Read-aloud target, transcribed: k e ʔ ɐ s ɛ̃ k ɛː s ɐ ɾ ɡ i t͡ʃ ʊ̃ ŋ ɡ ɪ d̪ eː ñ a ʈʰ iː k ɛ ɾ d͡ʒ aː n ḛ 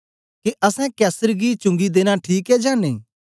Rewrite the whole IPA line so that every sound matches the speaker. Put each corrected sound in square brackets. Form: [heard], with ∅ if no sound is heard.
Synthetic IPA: k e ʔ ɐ s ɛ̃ k ɛː s [ə] ɾ ɡ i t͡ʃ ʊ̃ ŋ ɡ [i] d̪ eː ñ a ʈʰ iː k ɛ [∅] d͡ʒ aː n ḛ